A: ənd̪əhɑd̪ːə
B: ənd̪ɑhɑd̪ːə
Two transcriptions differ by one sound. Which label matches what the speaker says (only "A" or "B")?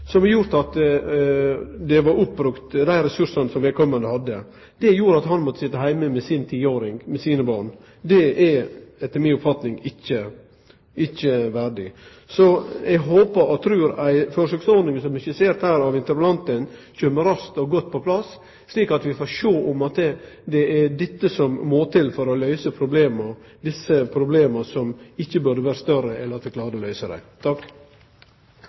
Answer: A